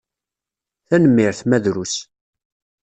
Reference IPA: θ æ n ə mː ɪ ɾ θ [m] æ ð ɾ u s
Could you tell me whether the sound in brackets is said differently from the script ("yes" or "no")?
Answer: no